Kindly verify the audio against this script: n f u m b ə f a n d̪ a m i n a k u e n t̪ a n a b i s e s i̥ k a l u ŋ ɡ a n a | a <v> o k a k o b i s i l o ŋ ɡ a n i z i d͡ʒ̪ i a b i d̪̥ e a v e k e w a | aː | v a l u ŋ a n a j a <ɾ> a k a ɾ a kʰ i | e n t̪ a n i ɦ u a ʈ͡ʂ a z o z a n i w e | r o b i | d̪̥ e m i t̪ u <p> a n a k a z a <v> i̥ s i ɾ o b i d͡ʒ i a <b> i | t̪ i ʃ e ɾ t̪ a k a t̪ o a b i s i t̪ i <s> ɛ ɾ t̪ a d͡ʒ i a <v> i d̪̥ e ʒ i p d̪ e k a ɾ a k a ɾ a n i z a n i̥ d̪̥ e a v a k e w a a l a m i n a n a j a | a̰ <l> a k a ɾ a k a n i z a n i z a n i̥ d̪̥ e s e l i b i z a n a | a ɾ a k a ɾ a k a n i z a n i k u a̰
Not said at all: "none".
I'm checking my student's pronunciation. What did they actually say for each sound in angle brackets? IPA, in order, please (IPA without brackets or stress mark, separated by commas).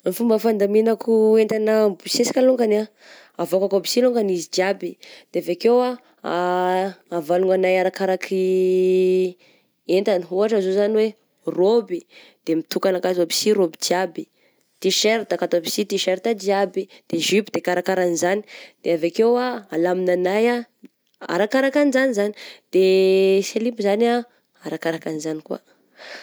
v, ɾ, k, b, b, ʃ, b, ɾ